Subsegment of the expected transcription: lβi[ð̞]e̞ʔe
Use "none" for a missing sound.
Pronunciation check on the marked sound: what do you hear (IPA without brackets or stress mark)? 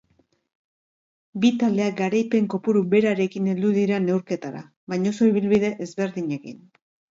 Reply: ð̞